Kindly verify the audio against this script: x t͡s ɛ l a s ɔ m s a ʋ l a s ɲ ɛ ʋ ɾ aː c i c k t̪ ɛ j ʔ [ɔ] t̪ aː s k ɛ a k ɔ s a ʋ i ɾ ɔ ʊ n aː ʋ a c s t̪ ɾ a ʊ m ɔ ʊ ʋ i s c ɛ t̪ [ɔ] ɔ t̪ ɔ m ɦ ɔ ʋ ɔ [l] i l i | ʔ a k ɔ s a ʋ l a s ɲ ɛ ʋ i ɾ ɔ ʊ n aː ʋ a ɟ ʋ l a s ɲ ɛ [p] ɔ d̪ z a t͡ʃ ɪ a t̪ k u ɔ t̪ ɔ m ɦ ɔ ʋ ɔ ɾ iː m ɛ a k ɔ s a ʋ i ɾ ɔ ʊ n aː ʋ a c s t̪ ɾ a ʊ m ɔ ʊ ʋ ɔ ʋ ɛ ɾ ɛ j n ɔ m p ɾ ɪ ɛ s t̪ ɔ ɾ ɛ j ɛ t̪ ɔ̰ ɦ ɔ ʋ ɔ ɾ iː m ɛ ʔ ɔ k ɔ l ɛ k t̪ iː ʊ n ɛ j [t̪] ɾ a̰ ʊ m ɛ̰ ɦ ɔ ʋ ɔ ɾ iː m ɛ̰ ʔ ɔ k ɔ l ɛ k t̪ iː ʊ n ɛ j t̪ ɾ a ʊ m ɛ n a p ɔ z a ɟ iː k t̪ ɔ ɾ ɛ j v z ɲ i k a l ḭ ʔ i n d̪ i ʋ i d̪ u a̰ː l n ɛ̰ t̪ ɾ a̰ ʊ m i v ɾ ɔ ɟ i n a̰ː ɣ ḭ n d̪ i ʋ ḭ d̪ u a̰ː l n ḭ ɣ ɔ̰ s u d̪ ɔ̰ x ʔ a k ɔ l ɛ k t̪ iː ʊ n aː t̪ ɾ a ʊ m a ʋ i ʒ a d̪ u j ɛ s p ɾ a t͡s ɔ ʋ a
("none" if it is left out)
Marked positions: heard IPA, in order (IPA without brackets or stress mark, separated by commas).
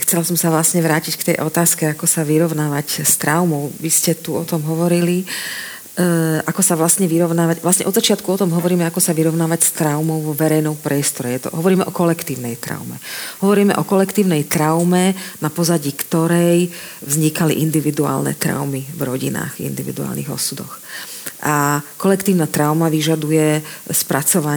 ɔ, u, ɾ, ʔ, t̪